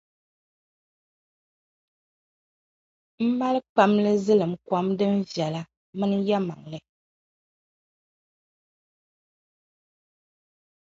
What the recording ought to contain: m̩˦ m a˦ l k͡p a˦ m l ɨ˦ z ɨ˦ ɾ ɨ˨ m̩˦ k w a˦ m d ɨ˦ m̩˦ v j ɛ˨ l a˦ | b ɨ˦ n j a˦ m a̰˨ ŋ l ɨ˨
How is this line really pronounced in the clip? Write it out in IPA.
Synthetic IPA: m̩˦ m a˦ l k͡p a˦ m l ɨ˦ z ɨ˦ l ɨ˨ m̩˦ k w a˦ m d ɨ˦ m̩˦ v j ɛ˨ l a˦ | m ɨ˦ n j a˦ m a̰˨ ŋ l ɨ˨